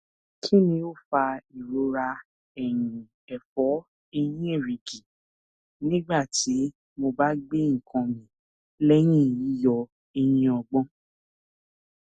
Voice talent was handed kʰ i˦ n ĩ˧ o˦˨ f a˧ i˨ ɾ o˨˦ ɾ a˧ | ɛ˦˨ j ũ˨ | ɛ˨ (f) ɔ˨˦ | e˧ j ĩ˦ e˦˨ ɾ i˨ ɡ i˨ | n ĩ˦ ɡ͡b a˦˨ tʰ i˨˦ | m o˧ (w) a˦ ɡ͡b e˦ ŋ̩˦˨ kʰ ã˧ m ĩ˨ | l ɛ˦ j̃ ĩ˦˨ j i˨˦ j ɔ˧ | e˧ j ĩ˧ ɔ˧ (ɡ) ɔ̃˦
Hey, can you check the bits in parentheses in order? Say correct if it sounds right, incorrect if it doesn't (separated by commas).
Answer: correct, incorrect, incorrect